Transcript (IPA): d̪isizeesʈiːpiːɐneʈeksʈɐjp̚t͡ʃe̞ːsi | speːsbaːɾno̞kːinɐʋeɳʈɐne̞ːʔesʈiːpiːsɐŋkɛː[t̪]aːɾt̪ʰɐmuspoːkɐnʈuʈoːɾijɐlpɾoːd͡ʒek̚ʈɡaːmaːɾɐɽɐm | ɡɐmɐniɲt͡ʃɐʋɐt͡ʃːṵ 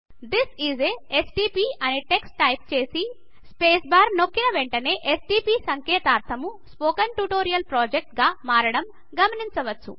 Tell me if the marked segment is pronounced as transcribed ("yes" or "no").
yes